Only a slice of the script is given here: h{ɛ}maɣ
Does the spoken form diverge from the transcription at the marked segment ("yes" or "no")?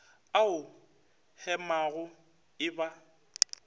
no